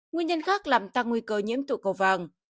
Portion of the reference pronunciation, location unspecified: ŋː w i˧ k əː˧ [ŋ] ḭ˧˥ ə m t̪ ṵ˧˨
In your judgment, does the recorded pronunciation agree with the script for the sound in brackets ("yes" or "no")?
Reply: no